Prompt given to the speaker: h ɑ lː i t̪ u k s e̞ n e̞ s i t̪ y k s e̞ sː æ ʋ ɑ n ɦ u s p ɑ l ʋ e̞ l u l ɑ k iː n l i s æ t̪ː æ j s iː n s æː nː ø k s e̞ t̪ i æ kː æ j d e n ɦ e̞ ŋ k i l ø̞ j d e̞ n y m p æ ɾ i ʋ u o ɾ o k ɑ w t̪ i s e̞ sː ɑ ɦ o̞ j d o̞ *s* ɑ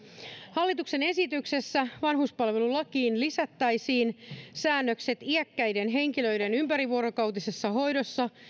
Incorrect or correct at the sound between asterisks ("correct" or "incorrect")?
incorrect